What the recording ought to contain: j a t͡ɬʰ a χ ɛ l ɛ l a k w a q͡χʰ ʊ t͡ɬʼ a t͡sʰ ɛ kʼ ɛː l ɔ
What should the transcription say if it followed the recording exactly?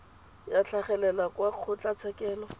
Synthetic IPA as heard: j a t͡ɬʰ a χ ɛ l ɛ l a k w a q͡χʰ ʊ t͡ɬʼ a t͡sʰ ɛ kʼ ɛː l ɔ